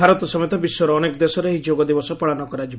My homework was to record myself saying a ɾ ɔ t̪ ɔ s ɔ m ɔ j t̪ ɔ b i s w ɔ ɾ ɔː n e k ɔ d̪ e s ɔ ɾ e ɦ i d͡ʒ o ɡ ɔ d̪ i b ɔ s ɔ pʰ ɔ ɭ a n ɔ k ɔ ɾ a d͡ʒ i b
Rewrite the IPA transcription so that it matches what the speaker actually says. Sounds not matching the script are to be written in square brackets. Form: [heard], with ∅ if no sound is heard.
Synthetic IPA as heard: a ɾ ɔ t̪ ɔ s ɔ m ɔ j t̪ ɔ b i s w ɔ ɾ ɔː n e k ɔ d̪ e s ɔ ɾ e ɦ i d͡ʒ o ɡ ɔ d̪ i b ɔ s ɔ [p] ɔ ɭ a n ɔ k ɔ ɾ a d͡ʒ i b